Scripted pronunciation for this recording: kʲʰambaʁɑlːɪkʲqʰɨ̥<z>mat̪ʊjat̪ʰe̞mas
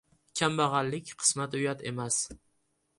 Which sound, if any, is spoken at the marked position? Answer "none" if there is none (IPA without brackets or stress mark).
s